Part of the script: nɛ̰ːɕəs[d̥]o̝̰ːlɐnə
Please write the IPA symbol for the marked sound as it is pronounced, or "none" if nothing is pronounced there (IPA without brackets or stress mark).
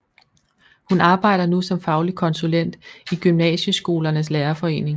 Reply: ɡ̥